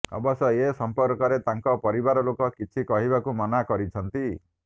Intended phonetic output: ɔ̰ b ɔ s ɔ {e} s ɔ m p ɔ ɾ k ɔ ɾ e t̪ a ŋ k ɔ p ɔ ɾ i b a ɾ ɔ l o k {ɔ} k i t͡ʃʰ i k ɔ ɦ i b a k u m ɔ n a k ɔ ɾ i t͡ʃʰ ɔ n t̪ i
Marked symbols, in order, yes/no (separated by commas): yes, yes